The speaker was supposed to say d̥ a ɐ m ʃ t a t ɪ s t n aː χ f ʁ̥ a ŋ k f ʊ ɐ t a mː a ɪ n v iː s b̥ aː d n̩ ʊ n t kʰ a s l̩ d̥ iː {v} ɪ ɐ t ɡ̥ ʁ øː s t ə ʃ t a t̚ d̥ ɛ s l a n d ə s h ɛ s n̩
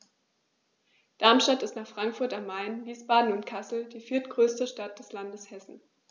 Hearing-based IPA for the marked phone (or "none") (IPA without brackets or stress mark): f